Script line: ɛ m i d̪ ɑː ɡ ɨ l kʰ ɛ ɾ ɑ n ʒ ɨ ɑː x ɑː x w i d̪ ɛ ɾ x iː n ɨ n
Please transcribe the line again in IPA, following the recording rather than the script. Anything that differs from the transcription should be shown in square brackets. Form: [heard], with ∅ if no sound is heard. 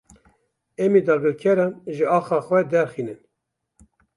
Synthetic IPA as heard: ɛ m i d̪ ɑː ɡ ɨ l kʰ ɛ ɾ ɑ n ʒ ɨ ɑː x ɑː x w [ɛ] d̪ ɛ ɾ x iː n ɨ n